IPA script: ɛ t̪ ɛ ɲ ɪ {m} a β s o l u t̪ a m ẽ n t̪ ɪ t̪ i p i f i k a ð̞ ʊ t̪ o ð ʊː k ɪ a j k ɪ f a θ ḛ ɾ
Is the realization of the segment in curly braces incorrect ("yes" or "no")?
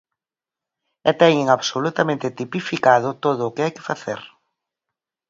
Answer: yes